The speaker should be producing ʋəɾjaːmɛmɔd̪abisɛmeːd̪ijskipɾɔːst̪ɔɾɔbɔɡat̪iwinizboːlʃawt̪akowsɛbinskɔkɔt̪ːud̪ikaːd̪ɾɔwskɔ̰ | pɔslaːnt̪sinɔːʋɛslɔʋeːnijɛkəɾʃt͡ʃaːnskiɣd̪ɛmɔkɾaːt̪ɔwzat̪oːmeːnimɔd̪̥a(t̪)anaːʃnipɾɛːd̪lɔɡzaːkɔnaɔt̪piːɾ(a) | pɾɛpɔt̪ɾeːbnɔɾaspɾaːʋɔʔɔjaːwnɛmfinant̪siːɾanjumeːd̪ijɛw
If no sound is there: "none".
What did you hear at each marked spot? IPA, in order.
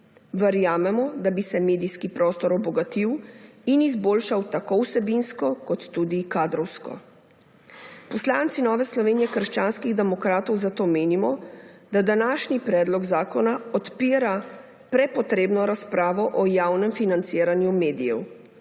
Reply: d̪, a

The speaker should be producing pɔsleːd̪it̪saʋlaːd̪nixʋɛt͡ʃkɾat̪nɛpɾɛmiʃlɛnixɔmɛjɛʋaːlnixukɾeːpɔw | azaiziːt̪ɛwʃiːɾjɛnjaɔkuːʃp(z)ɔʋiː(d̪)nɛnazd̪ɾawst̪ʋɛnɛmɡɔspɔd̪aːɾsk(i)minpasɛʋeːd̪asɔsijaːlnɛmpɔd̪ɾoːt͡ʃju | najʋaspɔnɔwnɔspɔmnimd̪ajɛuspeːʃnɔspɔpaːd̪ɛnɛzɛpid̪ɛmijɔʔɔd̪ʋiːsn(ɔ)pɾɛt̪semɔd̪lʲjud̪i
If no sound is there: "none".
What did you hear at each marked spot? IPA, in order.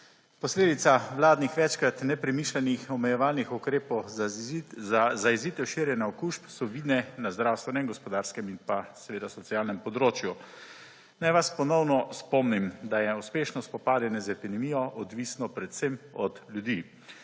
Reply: s, d̪, ɛ, ɔ

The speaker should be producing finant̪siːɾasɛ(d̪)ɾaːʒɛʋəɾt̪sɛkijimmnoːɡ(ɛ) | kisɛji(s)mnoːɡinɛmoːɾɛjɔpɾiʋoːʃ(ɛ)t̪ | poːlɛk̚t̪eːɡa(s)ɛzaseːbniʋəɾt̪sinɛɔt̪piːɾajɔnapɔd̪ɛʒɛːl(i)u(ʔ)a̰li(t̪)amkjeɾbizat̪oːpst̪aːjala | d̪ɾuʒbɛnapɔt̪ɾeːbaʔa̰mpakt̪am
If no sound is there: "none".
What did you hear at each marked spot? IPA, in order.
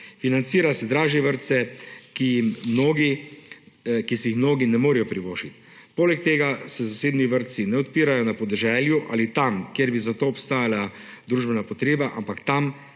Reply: d̪, i, x, i, s, j, ʔ, t̪

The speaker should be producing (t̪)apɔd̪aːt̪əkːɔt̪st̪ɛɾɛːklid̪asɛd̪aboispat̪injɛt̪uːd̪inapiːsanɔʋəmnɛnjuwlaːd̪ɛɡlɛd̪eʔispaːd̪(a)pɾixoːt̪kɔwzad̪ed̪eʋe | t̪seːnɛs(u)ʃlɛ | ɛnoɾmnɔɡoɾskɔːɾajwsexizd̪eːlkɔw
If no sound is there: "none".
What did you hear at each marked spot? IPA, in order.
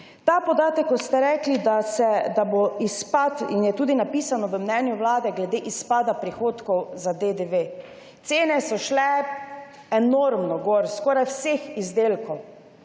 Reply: t̪, a, ɔ

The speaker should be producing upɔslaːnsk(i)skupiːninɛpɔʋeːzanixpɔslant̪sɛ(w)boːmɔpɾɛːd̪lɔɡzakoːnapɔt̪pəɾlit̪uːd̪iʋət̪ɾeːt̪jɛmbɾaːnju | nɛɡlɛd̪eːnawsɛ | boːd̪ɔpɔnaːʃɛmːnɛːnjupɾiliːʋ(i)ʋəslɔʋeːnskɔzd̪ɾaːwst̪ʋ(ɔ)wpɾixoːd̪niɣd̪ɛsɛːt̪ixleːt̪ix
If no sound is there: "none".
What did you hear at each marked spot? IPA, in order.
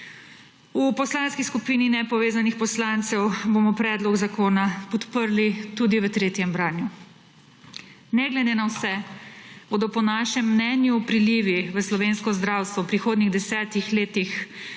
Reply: i, w, i, ɔ

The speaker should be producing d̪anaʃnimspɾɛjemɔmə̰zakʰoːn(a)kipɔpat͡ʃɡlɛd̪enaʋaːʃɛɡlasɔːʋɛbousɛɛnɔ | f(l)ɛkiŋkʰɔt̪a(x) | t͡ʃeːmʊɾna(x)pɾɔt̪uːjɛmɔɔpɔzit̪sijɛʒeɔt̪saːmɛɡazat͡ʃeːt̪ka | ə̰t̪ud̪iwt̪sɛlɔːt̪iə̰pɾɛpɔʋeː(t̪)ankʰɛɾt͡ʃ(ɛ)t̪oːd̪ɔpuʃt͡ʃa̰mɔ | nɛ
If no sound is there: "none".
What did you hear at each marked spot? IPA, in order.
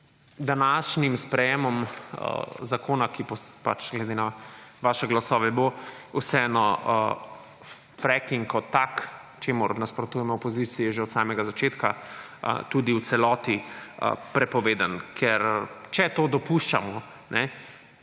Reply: a, ɾ, k, s, d̪, ɛ

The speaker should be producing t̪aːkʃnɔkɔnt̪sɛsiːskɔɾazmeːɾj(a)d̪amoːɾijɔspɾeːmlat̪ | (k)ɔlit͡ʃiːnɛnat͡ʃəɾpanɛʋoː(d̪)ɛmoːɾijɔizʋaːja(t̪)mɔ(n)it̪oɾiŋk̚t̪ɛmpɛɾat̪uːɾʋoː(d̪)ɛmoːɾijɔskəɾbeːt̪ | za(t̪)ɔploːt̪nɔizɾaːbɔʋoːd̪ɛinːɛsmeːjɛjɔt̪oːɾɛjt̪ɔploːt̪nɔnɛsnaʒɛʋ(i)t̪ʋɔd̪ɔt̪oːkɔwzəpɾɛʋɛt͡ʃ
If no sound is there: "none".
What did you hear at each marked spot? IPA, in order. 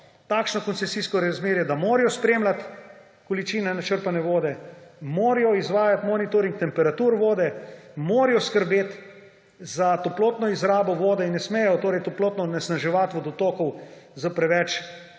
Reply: ɛ, k, d̪, t̪, n, d̪, t̪, a

